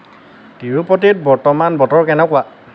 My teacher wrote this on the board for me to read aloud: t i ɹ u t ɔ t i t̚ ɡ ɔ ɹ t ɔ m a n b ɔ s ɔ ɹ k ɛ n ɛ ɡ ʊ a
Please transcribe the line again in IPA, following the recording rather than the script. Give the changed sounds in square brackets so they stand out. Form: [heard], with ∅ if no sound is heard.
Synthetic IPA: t i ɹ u [p] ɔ t i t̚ [b] ɔ ɹ t ɔ m a n b ɔ [t] ɔ ɹ k ɛ n ɛ [k] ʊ a